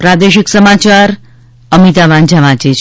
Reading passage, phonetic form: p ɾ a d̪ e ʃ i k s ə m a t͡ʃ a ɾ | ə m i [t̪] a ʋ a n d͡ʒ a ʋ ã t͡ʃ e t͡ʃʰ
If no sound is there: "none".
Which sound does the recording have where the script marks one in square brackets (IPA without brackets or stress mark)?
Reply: t̪